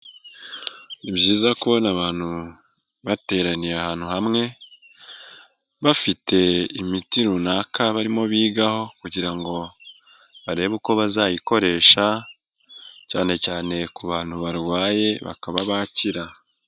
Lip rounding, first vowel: unrounded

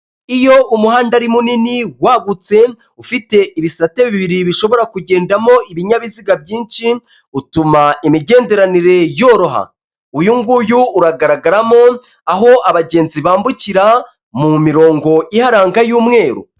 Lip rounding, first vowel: unrounded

